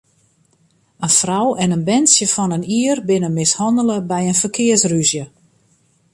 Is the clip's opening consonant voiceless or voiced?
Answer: voiced